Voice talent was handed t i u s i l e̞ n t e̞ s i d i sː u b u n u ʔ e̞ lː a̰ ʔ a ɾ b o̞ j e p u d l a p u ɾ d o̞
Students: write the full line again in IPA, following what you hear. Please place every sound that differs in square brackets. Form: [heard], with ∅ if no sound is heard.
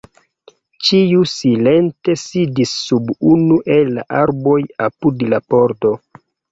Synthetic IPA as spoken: [t͡ʃ] i u s i l e̞ n t e̞ s i d i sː u b u n u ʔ e̞ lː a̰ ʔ a ɾ b o̞ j [a] p u d l a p [o] ɾ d o̞